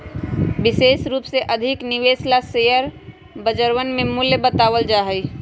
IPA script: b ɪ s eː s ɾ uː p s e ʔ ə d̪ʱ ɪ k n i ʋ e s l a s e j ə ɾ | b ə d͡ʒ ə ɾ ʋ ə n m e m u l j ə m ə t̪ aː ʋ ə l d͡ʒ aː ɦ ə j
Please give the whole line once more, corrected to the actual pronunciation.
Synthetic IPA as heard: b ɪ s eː s ɾ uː p s e ʔ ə d̪ʱ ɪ k n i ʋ e s l a s e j ə ɾ | b ə d͡ʒ ə ɾ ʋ ə n m e m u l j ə b ə t̪ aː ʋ ə l d͡ʒ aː ɦ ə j